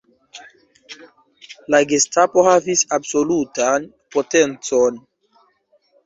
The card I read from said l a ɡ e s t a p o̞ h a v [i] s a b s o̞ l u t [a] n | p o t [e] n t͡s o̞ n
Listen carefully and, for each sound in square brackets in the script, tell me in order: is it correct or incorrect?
correct, correct, correct

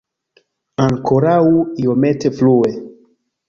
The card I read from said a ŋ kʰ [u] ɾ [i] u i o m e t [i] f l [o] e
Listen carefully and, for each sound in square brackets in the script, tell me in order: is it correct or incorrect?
incorrect: o, incorrect: a, incorrect: e, incorrect: u

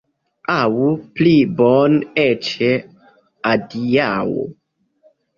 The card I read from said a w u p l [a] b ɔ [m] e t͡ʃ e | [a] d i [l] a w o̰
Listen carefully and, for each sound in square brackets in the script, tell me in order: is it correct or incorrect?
incorrect: i, incorrect: n, correct, incorrect: none

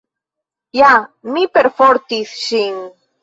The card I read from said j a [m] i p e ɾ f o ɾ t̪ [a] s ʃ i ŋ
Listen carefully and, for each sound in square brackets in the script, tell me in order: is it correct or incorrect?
correct, incorrect: i

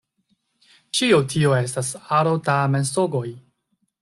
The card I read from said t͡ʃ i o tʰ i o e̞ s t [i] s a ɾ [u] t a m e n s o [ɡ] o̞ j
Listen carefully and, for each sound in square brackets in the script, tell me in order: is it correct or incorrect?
incorrect: a, incorrect: o, correct

